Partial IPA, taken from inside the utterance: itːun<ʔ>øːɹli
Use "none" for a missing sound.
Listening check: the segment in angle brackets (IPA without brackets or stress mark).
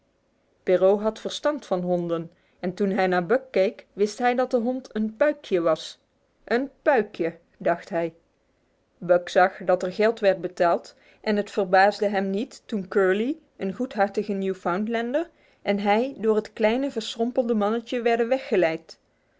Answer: k